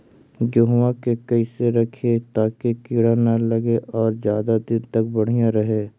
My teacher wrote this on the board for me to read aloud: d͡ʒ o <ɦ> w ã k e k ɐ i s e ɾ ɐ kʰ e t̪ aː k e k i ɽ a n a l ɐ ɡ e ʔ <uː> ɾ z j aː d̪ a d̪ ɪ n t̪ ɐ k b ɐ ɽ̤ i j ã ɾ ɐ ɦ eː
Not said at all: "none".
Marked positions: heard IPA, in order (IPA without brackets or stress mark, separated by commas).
ɦ, ɔː